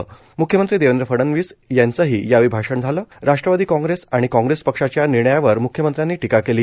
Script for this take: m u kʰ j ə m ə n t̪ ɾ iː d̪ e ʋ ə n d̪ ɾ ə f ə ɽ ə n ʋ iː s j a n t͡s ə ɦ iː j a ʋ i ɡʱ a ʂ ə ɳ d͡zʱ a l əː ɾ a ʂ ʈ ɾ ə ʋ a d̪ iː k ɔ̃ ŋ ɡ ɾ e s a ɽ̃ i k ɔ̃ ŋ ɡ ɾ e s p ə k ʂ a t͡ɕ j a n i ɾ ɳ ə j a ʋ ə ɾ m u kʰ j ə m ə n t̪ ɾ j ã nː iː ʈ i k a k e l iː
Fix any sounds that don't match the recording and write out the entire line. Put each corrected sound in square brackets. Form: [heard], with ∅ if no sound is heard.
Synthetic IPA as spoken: m u kʰ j ə m ə n t̪ ɾ iː d̪ e ʋ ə n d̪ ɾ ə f ə ɽ ə n ʋ iː s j a n t͡s ə ɦ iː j a ʋ i [bʱ] a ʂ ə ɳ d͡zʱ a l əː ɾ a ʂ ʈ ɾ ə ʋ a d̪ iː k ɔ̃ ŋ ɡ ɾ e s a ɽ̃ i k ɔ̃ ŋ ɡ ɾ e s p ə k ʂ a t͡ɕ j a n i ɾ ɳ ə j a ʋ ə ɾ m u kʰ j ə m ə n t̪ ɾ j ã nː iː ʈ i k a k e l iː